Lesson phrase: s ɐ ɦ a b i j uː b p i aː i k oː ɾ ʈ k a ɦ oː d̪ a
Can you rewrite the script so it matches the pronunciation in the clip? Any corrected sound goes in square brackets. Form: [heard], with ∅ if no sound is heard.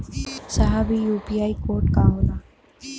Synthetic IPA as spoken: s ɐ ɦ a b i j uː [∅] p i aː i k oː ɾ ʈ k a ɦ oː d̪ a